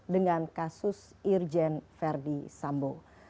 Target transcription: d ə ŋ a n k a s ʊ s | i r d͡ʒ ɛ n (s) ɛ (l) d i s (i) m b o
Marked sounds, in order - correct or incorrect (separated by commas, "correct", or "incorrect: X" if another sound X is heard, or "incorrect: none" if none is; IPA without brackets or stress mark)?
incorrect: f, incorrect: r, incorrect: a